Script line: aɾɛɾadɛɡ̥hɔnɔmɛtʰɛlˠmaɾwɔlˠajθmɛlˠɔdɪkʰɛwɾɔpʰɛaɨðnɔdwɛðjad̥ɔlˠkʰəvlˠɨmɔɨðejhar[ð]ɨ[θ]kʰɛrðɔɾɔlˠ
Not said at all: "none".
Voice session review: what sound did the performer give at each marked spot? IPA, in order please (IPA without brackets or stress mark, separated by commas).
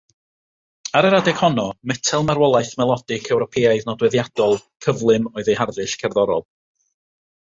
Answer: ð, ʃ